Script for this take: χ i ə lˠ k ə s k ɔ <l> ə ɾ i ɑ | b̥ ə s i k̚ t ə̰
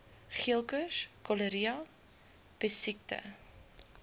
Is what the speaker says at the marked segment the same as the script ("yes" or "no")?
yes